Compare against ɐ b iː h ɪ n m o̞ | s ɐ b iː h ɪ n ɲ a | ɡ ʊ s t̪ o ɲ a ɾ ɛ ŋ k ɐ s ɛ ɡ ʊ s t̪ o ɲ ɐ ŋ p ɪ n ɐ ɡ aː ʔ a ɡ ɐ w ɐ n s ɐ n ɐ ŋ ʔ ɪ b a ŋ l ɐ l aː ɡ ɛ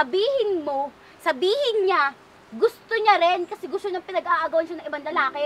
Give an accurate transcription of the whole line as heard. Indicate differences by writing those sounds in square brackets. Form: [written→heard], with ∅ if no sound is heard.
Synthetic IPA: ɐ b iː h ɪ n m o̞ | s ɐ b iː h ɪ n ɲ a | ɡ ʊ s t̪ o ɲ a ɾ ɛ [ŋ→n] k ɐ s ɛ ɡ ʊ s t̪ o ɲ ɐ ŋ p ɪ n ɐ ɡ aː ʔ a ɡ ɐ w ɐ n [s→ʃ] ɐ n ɐ ŋ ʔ ɪ b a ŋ l ɐ l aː [ɡ→k] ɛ